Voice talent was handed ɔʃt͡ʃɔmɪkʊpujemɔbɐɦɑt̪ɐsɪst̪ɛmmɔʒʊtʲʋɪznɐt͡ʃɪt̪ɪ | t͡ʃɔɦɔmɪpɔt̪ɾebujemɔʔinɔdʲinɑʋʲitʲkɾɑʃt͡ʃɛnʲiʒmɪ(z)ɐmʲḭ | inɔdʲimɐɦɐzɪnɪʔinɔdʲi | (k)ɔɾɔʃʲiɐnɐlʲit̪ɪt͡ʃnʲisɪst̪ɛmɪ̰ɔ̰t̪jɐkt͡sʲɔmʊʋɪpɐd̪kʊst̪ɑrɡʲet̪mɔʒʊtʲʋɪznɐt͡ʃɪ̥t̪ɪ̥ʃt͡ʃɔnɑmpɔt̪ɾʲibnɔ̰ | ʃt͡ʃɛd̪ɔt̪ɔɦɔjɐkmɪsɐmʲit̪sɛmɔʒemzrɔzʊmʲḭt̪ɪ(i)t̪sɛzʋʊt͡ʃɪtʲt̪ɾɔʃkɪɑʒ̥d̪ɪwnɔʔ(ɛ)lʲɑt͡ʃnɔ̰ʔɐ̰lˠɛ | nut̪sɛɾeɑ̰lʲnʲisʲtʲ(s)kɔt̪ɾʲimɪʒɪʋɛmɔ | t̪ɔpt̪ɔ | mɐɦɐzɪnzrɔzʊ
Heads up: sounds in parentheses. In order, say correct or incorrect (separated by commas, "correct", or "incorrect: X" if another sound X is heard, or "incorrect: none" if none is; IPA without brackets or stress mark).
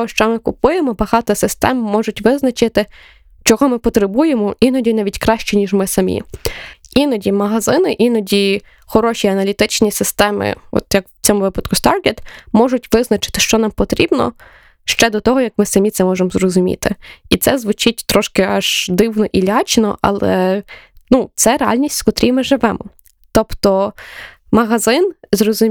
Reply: incorrect: s, incorrect: x, correct, incorrect: i, correct